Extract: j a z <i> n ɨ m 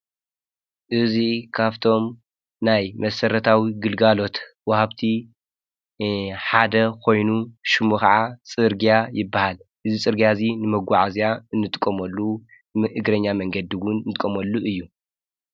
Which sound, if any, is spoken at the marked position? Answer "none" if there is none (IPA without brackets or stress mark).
i